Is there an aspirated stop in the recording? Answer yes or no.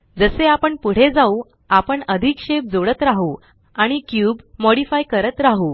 no